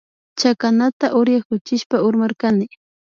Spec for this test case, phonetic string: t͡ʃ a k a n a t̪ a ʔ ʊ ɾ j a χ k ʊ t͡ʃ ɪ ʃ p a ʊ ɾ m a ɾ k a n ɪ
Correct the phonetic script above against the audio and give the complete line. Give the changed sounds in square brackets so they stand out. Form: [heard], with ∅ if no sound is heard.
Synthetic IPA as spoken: t͡ʃ a k a n a t̪ a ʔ ʊ ɾ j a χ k ʊ t͡ʃ ɪ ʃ p a ʊ ɾ m a ɾ k a n ɪ